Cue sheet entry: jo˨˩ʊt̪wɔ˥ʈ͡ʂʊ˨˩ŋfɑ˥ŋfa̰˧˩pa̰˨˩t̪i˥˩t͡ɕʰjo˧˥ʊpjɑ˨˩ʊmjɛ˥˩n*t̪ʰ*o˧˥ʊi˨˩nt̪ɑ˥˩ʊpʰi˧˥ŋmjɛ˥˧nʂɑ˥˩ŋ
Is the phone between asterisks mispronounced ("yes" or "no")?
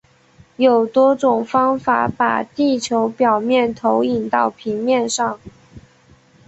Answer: no